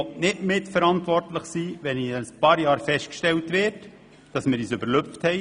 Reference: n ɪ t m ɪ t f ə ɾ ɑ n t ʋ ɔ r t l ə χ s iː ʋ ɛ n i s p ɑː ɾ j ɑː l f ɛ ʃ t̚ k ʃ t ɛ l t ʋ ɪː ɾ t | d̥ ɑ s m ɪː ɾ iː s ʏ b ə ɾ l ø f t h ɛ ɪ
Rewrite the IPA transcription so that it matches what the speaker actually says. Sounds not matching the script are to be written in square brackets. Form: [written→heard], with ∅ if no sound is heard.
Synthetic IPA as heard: n ɪ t m ɪ t f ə ɾ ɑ n t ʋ ɔ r t l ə χ s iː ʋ ɛ n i s p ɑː ɾ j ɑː [l→ɾ] f ɛ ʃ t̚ k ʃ t ɛ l t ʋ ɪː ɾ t | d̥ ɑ s m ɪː ɾ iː s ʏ b ə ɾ l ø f t h ɛ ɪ